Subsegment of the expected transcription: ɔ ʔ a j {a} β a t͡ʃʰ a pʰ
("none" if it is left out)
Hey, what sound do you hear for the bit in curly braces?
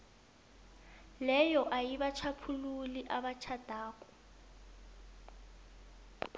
i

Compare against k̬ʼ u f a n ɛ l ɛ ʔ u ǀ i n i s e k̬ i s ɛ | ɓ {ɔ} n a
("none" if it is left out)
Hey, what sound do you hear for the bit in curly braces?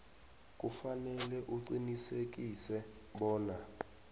ɔː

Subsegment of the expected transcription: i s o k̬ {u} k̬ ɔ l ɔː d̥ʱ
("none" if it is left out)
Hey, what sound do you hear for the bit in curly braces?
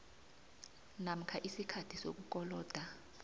u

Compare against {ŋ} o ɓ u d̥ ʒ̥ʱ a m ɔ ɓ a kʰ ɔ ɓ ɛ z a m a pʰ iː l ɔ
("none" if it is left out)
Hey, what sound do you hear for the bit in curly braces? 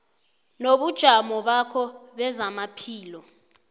n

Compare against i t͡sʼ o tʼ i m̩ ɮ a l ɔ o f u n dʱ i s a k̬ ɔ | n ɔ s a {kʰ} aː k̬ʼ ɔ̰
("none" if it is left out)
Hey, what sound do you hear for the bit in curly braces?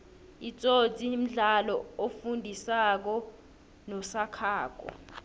kʰ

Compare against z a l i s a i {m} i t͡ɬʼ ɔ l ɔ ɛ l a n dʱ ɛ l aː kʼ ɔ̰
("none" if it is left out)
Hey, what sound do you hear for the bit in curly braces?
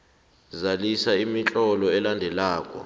m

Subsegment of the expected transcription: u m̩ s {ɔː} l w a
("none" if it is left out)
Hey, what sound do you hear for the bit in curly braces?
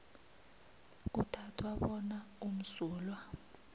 uː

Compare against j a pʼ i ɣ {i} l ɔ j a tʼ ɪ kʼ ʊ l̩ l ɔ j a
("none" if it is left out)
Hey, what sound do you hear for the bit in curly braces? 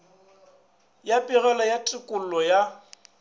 ɛ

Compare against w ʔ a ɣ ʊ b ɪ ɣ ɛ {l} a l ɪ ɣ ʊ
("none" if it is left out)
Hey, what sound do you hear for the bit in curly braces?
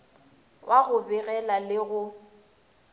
l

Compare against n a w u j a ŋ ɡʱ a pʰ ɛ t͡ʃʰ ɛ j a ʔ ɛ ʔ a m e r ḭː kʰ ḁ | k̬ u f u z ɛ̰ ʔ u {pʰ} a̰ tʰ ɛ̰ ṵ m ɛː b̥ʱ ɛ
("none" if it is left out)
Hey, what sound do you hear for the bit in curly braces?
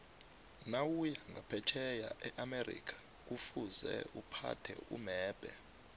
pʰ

